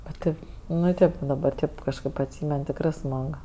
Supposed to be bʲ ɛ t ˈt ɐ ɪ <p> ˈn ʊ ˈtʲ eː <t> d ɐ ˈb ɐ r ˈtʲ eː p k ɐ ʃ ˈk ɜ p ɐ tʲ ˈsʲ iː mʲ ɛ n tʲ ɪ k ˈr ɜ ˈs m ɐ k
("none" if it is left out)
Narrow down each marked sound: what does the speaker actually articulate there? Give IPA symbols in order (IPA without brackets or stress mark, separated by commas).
p, p